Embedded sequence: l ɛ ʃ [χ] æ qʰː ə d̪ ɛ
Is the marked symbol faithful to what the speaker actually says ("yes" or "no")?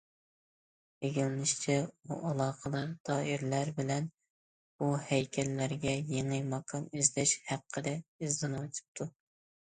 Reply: no